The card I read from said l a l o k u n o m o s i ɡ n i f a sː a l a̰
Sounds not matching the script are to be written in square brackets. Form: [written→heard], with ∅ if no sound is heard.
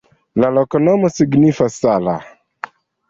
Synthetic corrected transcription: l a l o k [u→o] n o m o s i ɡ n i f a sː a l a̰